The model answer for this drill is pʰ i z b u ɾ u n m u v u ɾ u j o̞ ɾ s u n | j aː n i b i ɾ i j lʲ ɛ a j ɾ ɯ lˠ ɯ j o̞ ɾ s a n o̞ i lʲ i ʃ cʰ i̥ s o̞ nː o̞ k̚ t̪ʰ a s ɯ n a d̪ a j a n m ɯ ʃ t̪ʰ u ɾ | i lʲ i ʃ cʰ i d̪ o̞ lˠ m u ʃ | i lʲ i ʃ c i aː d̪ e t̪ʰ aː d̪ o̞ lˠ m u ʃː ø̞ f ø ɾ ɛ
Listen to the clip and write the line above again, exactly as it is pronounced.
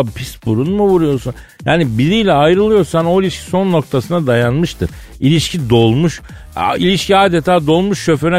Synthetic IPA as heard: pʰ i s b u ɾ u n m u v u ɾ u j o̞ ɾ s u n | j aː n i b i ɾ i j lʲ ɛ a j ɾ ɯ lˠ ɯ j o̞ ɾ s a n o̞ i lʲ i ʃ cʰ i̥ s o̞ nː o̞ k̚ t̪ʰ a s ɯ n a d̪ a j a n m ɯ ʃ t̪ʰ ɯ ɾ | i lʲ i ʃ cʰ i d̪ o̞ lˠ m u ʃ | i lʲ i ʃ c i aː d̪ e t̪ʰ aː d̪ o̞ lˠ m u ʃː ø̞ f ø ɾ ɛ